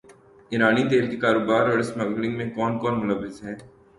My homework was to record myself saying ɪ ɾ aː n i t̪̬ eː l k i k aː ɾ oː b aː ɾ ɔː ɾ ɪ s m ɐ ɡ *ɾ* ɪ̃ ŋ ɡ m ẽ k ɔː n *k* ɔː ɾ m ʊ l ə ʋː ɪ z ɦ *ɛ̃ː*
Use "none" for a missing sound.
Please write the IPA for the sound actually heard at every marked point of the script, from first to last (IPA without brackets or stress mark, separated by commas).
l, k, ɛː